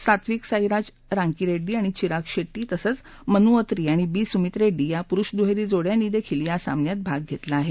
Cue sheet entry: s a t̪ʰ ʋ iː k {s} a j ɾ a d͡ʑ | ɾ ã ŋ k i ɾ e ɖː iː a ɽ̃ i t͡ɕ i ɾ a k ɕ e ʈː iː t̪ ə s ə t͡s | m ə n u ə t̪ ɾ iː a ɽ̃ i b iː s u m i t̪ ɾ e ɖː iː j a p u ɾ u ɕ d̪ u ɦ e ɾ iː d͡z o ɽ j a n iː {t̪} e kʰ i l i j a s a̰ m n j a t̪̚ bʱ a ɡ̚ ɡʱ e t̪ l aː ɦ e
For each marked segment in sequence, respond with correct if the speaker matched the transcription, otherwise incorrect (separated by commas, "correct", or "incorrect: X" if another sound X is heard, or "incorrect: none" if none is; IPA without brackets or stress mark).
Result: correct, incorrect: d̪